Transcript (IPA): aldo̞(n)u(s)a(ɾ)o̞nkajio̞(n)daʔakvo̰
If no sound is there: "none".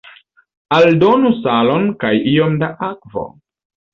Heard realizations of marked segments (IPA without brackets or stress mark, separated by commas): n, s, l, m